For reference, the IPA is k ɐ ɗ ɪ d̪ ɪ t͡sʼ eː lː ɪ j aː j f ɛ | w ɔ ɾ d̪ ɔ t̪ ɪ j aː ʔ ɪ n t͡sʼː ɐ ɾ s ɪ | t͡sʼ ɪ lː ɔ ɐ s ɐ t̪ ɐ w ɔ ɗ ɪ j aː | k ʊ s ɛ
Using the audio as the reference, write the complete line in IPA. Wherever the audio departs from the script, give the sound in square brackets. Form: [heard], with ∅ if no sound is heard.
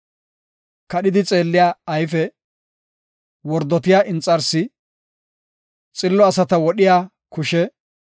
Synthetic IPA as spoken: k ɐ ɗ ɪ d̪ ɪ t͡sʼ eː lː ɪ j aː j f ɛ | w ɔ ɾ d̪ ɔ t̪ ɪ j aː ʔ ɪ n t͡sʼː ɐ ɾ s ɪ | t͡sʼ ɪ lː ɔ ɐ s ɐ t̪ ɐ w ɔ ɗ ɪ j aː | k ʊ [ʃ] ɛ